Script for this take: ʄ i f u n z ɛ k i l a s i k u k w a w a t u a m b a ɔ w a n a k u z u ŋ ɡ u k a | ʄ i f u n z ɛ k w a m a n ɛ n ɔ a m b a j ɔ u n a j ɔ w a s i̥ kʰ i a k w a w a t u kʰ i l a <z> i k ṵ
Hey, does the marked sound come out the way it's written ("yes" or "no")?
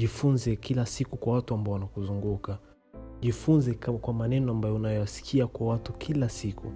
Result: no